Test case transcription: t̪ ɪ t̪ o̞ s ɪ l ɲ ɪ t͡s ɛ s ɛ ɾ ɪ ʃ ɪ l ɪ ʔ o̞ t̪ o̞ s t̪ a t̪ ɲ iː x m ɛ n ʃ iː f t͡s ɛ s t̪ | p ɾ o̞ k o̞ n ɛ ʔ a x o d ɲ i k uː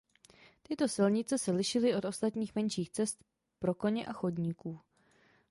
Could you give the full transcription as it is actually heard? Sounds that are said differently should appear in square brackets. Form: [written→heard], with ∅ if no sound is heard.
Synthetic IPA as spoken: t̪ ɪ t̪ o̞ s ɪ l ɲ ɪ t͡s ɛ s ɛ [ɾ→l] ɪ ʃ ɪ l ɪ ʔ o̞ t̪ o̞ s t̪ a t̪ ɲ iː x m ɛ n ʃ iː [f→x] t͡s ɛ s t̪ | p ɾ o̞ k o̞ [n→ɲ] ɛ ʔ a x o d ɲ i k uː